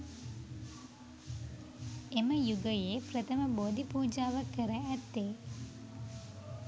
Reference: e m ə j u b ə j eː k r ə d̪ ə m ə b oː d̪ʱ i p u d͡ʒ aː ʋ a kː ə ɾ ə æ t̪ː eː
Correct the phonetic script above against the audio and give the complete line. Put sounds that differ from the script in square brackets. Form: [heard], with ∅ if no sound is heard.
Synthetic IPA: e m ə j u [ɡ] ə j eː [p] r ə [t̪] ə m ə b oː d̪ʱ i p [uː] d͡ʒ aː ʋ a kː ə ɾ ə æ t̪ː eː